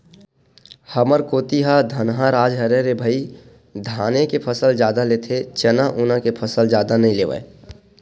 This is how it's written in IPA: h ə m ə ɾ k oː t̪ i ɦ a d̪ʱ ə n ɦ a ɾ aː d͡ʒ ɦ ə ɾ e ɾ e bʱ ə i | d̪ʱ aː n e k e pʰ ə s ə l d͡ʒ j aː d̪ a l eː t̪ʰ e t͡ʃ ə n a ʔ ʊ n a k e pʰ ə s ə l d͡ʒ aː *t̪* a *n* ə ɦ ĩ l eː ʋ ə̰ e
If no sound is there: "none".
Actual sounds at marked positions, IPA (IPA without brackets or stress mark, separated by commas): d̪, n